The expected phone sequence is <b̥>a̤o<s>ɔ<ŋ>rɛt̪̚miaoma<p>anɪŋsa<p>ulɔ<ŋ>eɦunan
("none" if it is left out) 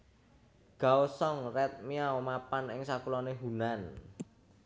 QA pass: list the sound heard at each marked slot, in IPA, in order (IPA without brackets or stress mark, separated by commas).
ɡ̥, s, ŋ, p, k, n